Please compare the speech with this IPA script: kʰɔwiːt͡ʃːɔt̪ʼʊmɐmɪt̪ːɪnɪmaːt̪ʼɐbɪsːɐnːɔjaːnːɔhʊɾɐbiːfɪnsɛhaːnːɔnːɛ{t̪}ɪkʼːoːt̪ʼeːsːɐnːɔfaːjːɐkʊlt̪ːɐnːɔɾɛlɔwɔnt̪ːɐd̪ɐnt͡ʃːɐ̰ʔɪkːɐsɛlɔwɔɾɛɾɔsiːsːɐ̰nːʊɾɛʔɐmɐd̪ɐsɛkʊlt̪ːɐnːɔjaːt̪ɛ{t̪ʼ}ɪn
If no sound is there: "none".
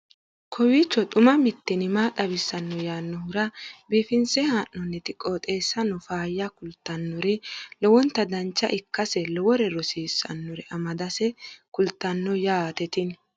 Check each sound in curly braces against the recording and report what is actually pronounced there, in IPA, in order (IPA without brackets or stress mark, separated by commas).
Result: t̪, t̪